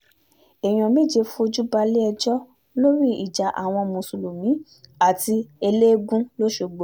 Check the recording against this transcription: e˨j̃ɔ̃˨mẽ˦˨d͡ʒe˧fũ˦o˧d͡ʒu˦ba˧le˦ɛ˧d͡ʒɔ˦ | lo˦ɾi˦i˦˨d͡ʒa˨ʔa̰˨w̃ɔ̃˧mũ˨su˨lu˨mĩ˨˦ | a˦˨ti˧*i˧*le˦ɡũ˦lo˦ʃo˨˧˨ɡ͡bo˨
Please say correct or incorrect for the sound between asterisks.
incorrect